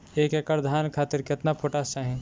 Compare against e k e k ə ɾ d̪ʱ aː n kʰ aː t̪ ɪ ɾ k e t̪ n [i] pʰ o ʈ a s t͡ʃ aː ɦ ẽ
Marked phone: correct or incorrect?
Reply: incorrect